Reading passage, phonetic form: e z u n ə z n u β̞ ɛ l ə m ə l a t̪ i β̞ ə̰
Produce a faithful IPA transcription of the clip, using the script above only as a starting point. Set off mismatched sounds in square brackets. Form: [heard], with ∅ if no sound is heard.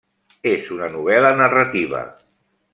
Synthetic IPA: e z u n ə [∅] n u β̞ ɛ l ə [n] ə [r] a t̪ i β̞ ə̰

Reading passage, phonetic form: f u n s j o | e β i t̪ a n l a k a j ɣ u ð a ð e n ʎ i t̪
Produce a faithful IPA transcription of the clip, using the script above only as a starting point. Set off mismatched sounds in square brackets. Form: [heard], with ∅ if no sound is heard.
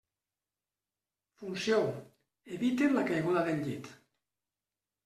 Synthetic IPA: f u n s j o | e β i t̪ [e] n l a k a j ɣ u ð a ð e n ʎ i t̪

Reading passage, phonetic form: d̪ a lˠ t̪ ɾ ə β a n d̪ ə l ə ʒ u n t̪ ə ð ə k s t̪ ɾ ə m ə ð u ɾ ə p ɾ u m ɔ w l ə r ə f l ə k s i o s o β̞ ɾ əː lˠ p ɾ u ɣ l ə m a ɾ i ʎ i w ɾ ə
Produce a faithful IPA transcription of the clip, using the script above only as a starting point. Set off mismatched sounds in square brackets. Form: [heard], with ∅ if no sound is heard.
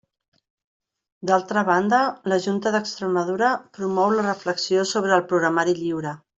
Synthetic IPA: d̪ a lˠ t̪ ɾ ə β a n d̪ ə l ə ʒ u n t̪ ə ð ə k s t̪ ɾ ə m ə ð u ɾ ə p ɾ u m ɔ w l ə r ə f l ə k s i o s o β̞ ɾ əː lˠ p ɾ u ɣ [ɾ] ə m a ɾ i ʎ i w ɾ ə

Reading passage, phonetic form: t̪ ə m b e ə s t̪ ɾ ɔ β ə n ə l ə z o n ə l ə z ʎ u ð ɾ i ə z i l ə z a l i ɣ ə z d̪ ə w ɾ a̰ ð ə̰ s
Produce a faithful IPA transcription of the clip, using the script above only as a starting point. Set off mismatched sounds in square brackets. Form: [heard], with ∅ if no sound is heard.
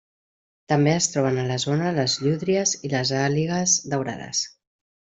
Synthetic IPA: t̪ ə m b e ə s t̪ ɾ ɔ β ə n ə l ə z o n ə l ə z ʎ u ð ɾ i ə z i l ə z a l i ɣ ə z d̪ ə w ɾ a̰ ð ə̰ s

